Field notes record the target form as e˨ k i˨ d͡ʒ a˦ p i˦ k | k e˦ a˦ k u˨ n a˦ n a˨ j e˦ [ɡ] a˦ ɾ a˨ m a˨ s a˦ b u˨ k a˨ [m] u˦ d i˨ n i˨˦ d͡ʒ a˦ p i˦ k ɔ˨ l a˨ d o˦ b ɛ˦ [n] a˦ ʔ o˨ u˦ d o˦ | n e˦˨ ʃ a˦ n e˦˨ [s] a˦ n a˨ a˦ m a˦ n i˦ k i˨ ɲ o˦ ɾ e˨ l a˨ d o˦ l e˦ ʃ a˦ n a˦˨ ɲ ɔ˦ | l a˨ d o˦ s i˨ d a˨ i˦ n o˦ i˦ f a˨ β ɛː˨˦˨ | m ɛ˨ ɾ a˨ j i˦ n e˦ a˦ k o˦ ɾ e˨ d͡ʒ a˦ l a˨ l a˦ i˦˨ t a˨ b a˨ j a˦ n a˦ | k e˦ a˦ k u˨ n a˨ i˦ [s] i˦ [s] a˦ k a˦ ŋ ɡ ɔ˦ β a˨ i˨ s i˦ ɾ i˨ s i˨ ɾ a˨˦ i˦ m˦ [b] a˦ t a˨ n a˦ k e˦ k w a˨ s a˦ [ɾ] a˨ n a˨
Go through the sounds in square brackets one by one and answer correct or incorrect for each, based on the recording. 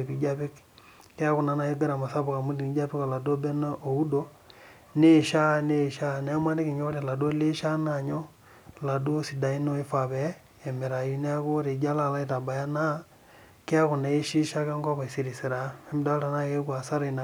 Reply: correct, correct, correct, incorrect: ʃ, incorrect: ʃ, incorrect: ʃ, incorrect: d, correct

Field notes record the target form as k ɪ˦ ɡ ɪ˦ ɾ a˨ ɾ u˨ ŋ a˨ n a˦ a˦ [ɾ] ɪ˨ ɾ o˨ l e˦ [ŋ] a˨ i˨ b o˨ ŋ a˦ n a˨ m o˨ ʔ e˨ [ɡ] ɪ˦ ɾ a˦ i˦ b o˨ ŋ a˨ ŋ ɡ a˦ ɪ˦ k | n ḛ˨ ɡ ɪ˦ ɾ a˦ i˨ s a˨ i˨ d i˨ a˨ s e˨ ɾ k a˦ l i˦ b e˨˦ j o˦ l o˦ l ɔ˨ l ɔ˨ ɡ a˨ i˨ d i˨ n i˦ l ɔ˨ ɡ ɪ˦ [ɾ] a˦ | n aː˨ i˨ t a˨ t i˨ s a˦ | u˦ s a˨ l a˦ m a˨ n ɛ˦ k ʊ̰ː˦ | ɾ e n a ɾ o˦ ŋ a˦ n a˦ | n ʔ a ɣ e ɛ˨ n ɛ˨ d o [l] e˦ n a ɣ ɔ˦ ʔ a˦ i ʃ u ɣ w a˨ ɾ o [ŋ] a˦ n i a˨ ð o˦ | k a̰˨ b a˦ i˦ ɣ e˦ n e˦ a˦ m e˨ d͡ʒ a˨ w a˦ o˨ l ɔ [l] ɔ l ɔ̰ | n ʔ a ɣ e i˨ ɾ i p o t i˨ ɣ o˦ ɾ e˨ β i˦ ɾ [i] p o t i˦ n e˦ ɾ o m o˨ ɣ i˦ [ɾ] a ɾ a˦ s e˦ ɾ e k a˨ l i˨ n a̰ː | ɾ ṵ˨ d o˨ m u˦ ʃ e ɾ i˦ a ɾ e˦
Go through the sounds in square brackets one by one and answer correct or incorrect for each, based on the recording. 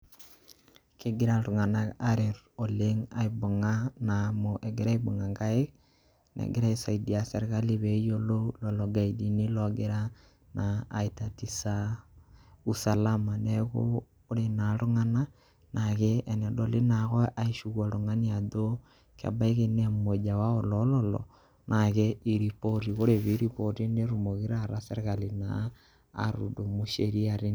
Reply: correct, correct, correct, correct, correct, correct, correct, correct, correct

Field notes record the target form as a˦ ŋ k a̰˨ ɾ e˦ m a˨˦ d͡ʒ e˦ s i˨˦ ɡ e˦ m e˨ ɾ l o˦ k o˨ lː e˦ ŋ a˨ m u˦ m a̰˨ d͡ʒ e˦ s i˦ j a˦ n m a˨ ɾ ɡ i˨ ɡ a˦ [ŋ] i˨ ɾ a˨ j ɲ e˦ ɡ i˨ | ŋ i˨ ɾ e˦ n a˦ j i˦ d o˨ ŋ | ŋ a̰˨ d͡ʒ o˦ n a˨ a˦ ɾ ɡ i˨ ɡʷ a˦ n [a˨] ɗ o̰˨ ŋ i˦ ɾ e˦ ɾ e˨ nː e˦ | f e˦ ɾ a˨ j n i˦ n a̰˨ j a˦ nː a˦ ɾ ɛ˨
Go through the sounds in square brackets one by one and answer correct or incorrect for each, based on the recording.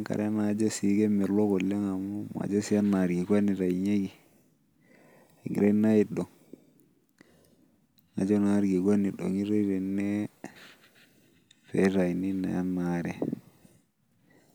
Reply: incorrect: n, incorrect: i˨

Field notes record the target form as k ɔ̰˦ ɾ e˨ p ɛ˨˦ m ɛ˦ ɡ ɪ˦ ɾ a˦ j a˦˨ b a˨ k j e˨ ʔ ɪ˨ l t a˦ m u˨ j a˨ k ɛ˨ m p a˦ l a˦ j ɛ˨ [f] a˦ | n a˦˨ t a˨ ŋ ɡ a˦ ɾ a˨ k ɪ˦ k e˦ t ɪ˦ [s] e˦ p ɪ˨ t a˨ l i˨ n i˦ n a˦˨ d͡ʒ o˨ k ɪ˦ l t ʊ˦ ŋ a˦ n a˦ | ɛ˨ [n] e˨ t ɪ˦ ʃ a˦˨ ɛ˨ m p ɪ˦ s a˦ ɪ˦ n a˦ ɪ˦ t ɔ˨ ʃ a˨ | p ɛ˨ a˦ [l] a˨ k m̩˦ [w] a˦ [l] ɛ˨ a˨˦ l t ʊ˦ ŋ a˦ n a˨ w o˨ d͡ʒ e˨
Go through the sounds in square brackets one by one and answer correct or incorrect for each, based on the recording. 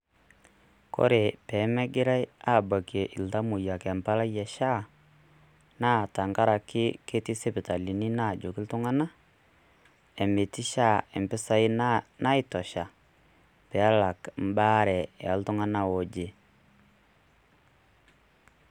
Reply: incorrect: ʃ, correct, incorrect: m, correct, incorrect: b, incorrect: ɾ

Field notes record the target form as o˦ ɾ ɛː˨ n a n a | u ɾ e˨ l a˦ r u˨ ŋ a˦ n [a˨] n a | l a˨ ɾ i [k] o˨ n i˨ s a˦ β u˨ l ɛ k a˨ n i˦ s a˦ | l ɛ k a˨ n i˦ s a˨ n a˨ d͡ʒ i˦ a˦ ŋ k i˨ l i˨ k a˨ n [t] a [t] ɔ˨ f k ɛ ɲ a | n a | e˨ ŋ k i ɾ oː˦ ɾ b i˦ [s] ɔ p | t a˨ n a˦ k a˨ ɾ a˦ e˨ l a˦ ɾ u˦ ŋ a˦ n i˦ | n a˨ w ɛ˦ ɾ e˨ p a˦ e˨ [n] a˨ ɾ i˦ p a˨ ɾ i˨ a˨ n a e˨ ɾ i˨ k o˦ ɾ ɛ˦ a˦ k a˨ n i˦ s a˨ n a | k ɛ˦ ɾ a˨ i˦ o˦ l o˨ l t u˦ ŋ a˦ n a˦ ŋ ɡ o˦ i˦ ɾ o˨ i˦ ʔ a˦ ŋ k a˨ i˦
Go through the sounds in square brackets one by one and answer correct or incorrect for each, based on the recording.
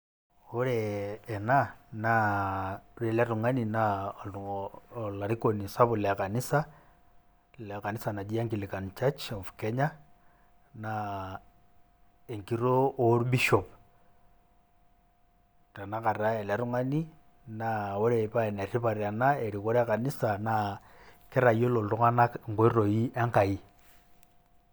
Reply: incorrect: i˨, correct, incorrect: t͡ʃ, incorrect: t͡ʃ, incorrect: ʃ, correct

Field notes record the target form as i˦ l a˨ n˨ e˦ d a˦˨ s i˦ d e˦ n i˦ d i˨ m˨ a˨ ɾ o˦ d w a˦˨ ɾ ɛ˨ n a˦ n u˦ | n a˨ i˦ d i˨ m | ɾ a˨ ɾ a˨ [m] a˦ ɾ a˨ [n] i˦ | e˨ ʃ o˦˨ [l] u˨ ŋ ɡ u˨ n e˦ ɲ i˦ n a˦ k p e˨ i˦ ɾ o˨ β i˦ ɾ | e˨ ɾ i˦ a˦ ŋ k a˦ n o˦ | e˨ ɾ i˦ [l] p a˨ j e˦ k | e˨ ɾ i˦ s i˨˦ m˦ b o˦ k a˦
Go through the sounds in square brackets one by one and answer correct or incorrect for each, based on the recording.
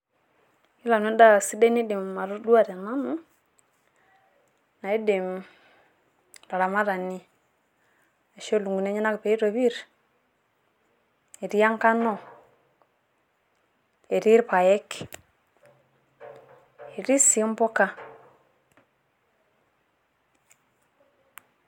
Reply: correct, correct, correct, incorrect: ɾ

